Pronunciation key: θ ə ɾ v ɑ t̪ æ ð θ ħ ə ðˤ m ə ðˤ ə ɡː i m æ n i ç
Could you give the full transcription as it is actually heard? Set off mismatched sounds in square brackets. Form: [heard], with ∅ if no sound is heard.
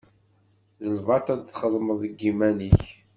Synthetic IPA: [ð] ə [l] v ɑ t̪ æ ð θ [χ] ə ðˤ m ə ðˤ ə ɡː i m æ n i ç